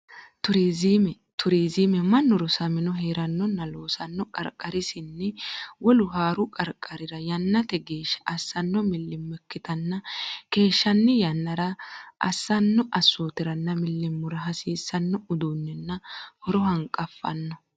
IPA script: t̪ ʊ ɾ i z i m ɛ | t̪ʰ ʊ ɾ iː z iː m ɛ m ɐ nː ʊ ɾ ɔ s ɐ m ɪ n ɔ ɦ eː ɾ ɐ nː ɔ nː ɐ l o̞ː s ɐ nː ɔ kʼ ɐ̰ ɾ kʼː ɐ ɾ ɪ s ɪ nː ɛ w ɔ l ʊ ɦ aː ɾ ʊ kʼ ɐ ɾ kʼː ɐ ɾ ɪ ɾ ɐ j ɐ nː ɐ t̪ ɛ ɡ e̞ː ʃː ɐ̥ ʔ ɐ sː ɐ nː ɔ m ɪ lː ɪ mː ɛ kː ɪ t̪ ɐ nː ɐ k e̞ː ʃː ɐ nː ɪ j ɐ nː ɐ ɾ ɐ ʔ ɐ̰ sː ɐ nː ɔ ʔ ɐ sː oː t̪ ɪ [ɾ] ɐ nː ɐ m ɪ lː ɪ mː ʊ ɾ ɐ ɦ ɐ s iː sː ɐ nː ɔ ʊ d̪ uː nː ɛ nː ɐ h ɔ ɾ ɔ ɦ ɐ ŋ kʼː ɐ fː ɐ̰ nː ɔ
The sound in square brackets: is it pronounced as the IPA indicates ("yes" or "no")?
yes